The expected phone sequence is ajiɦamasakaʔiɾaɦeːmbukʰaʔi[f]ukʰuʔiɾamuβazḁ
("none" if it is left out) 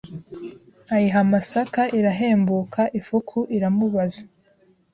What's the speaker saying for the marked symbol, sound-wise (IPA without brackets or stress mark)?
f